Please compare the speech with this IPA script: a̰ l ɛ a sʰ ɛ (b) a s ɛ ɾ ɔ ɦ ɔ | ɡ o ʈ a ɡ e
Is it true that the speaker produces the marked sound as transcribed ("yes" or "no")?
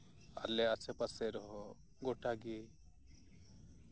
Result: no